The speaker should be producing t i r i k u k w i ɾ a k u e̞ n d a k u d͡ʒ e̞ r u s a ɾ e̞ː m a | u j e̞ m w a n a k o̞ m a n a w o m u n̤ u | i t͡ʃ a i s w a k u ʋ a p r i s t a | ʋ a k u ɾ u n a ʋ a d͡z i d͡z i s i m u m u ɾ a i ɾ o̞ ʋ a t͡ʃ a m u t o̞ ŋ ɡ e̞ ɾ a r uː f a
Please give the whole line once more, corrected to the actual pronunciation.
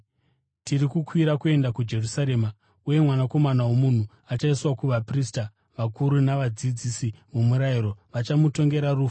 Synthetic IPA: t i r i k u k w i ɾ a k u e̞ n d a k u d͡ʒ e̞ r u s a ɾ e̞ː m a | u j e̞ m w a n a k o̞ m a n a w o m u n̤ u | a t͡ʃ a i s w a k u ʋ a p r i s t a | ʋ a k u ɾ u n a ʋ a d͡z i d͡z i s i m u m u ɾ a i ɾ o̞ ʋ a t͡ʃ a m u t o̞ ŋ ɡ e̞ ɾ a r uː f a

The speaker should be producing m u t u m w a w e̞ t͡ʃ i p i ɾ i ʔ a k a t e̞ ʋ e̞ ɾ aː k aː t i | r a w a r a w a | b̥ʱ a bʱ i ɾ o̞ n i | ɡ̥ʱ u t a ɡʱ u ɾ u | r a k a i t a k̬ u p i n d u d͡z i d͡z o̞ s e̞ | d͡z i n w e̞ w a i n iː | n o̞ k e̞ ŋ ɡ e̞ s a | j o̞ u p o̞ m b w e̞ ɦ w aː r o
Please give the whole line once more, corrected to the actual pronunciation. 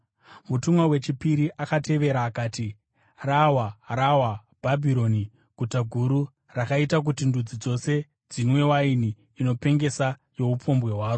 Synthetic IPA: m u t u m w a w e̞ t͡ʃ i p i ɾ i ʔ a k a t e̞ ʋ e̞ ɾ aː k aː t i | r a w a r a w a | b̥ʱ a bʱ i ɾ o̞ n i | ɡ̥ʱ u t a ɡʱ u ɾ u | r a k a i t a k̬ u t i n d u d͡z i d͡z o̞ s e̞ | d͡z i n w e̞ w a i n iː | n o̞ p e̞ ŋ ɡ e̞ s a | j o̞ u p o̞ m b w e̞ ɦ w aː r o

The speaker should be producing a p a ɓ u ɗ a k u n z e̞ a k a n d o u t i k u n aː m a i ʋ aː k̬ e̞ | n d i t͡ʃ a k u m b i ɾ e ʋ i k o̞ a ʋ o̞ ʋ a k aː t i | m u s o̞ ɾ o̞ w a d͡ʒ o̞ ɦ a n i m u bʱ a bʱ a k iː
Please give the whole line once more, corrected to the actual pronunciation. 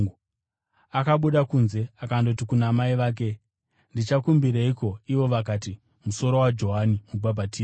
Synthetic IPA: a k a ɓ u ɗ a k u n z e̞ a k a n d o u t i k u n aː m a i ʋ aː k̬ e̞ | n d i t͡ʃ a k u m b i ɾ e i k o̞ i ʋ o̞ ʋ a k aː t i | m u s o̞ ɾ o̞ w a d͡ʒ o̞ ɦ a n i m u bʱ a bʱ a t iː

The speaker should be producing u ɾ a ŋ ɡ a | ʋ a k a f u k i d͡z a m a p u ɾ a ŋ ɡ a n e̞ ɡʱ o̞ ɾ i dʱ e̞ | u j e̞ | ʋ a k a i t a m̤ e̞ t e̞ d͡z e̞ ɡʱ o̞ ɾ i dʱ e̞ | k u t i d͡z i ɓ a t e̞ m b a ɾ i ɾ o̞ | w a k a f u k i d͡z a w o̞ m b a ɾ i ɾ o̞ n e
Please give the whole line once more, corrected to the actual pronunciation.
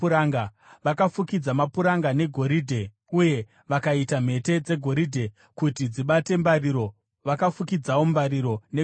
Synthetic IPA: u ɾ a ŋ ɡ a | ʋ a k a f u k i d͡z a m a p u ɾ a ŋ ɡ a n e̞ ɡʱ o̞ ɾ i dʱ e̞ | u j e̞ | ʋ a k a i t a m̤ e̞ t e̞ d͡z e̞ ɡʱ o̞ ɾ i dʱ e̞ | k u t i d͡z i ɓ a t e̞ m b a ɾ i ɾ o̞ | ʋ a k a f u k i d͡z a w o̞ m b a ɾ i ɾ o̞ n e

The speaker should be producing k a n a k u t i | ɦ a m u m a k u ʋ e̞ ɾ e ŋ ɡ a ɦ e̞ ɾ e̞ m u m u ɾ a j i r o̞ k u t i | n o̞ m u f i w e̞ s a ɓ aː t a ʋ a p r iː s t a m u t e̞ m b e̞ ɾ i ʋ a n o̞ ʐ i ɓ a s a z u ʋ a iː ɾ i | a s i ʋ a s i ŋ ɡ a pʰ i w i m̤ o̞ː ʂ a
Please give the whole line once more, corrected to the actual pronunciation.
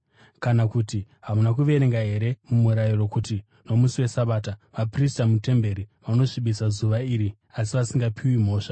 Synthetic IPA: k a n a k u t i | ɦ a m u n a k u ʋ e̞ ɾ e ŋ ɡ a ɦ e̞ ɾ e̞ m u m u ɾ a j i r o̞ k u t i | n o̞ m u s i w e̞ s a ɓ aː t a ʋ a p r i s t a m u t e̞ m b e̞ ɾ i ʋ a n o̞ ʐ i ɓ i s a z u ʋ a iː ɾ i | a s i ʋ a s i ŋ ɡ a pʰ i w i m̤ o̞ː ʂ a

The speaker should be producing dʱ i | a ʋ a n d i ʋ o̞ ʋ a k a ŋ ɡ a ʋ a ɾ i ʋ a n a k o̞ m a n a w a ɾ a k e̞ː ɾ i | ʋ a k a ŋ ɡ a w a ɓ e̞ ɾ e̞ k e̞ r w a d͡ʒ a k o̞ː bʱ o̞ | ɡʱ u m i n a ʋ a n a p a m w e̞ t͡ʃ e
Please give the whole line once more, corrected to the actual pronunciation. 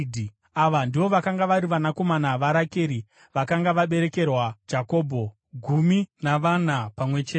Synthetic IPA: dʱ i | a ʋ a n d i ʋ o̞ ʋ a k a ŋ ɡ a ʋ a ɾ i ʋ a n a k o̞ m a n a ʋ a ɾ a k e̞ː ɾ i | ʋ a k a ŋ ɡ a ʋ a ɓ e̞ ɾ e̞ k e̞ r w a d͡ʒ a k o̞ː bʱ o̞ | ɡʱ u m i n a ʋ a n a p a m w e̞ t͡ʃ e

